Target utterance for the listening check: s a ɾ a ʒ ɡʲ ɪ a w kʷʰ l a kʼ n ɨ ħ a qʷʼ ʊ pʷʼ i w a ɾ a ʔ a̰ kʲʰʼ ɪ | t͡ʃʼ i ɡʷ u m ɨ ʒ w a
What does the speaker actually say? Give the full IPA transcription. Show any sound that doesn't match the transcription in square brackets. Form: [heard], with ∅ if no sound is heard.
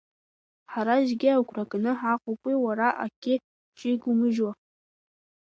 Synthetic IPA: [ħ] a ɾ a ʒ ɡʲ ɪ a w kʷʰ [r] a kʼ n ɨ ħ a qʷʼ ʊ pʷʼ i w a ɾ a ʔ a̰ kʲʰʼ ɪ | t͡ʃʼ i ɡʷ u m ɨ ʒ w a